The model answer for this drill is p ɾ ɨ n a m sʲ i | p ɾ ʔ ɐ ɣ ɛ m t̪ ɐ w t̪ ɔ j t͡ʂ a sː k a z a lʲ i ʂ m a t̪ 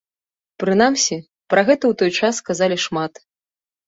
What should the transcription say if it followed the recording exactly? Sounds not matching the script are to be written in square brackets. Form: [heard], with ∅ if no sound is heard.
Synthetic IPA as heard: p ɾ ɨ n a m sʲ i | p ɾ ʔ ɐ ɣ ɛ [∅] t̪ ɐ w t̪ ɔ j t͡ʂ a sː k a z a lʲ i ʂ m a t̪